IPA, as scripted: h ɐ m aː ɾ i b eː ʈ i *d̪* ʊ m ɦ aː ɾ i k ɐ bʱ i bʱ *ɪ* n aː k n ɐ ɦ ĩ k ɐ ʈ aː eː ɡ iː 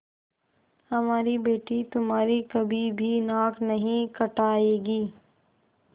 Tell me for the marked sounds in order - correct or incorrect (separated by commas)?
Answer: incorrect, incorrect